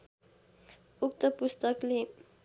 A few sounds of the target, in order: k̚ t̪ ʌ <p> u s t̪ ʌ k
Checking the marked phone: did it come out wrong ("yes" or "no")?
no